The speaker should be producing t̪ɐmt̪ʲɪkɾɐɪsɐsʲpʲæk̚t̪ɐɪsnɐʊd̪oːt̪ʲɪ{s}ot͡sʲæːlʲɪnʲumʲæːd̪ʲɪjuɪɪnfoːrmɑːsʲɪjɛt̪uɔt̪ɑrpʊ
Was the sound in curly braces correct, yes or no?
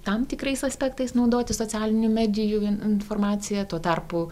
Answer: yes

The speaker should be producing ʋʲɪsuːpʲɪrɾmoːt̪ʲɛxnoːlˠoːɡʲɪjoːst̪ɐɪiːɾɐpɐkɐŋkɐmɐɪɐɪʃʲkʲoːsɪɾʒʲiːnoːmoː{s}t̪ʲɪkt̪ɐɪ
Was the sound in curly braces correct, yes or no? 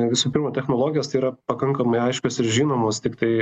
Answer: yes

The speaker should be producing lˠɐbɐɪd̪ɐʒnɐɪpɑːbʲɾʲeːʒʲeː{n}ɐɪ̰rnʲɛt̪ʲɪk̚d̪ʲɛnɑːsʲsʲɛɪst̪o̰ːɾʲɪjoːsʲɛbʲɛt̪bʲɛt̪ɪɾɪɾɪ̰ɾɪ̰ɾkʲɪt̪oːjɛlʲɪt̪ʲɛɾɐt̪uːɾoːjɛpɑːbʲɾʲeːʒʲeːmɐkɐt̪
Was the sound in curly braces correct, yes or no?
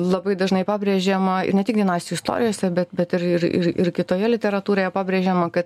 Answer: no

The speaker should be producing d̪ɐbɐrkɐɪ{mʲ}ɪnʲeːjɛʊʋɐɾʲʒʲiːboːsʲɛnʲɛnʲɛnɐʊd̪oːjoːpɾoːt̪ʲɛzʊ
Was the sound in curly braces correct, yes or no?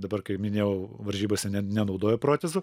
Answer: yes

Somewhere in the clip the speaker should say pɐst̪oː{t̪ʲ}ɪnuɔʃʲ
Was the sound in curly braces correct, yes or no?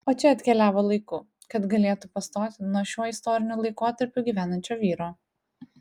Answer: yes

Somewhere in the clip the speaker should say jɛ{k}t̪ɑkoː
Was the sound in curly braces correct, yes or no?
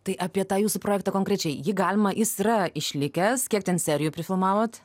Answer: yes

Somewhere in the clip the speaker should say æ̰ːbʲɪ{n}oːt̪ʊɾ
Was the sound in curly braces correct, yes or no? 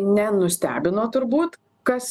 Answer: yes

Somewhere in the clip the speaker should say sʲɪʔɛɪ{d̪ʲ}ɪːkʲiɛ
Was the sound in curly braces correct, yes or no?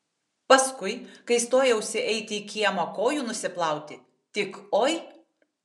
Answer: no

